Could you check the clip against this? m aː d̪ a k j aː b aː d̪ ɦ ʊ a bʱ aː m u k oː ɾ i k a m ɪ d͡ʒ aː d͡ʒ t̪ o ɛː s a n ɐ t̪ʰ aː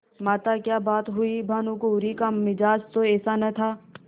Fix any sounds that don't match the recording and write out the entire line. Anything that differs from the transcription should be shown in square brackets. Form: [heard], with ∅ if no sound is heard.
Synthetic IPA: m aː [t̪] a k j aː b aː [t̪] ɦ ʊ [i] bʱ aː [n] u k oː ɾ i k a m ɪ d͡ʒ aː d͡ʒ t̪ o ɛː s a n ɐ t̪ʰ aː